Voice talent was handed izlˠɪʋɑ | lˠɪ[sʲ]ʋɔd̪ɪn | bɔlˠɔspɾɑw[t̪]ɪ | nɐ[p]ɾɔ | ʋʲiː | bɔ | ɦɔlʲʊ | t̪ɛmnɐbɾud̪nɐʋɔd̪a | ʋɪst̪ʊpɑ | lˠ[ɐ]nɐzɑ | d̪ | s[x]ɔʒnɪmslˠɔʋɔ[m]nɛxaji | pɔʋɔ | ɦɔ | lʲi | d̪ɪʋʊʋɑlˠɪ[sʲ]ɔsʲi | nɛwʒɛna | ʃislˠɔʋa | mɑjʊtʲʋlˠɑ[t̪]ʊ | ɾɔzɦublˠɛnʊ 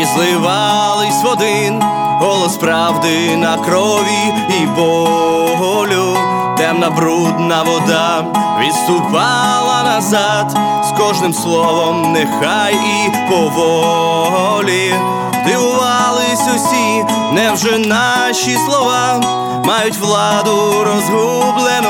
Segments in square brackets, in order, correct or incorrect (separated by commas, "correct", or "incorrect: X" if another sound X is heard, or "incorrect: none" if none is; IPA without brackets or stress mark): correct, incorrect: d̪, incorrect: k, correct, incorrect: k, correct, correct, incorrect: d̪